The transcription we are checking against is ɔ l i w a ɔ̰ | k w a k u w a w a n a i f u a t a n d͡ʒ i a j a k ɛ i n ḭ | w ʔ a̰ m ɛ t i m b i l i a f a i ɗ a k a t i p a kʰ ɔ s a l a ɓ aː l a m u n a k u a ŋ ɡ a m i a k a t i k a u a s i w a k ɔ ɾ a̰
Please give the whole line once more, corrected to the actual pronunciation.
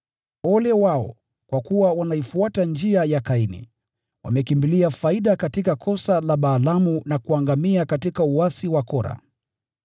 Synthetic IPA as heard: ɔ l ɛ w a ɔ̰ | k w a k u w a w a n a i f u a t a n d͡ʒ i a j a k a i n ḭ | w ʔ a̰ m ɛ k i m b i l i a f a i ɗ a k a t i k a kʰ ɔ s a l a ɓ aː l a m u n a k u a ŋ ɡ a m i a k a t i k a u a s i w a k ɔ ɾ a̰